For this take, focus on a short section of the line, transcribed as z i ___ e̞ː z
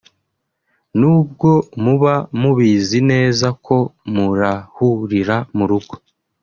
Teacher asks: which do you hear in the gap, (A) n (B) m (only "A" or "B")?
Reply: A